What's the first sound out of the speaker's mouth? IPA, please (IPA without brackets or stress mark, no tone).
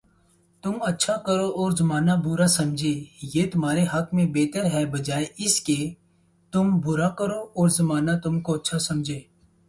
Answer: t̪